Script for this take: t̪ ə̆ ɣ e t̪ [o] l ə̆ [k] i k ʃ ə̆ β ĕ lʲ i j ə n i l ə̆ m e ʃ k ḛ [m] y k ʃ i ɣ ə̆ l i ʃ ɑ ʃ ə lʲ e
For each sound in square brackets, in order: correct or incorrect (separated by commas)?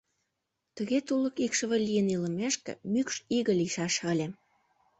incorrect, correct, correct